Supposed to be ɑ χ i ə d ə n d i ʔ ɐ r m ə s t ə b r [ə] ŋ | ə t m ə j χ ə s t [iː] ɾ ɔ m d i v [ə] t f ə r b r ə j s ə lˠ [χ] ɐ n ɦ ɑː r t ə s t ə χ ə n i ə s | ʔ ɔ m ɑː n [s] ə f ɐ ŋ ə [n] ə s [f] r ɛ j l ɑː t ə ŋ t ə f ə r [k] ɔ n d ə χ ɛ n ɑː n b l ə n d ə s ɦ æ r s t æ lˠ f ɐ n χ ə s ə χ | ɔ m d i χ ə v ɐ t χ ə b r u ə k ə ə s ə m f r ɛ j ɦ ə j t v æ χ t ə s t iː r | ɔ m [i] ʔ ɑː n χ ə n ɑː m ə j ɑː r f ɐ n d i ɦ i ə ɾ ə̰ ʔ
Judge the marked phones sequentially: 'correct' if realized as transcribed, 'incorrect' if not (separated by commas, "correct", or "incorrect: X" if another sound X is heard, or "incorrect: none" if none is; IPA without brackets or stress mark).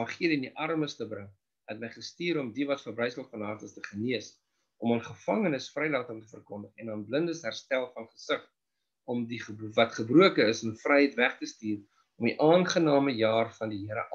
correct, correct, incorrect: ɐ, incorrect: f, incorrect: χ, correct, correct, correct, correct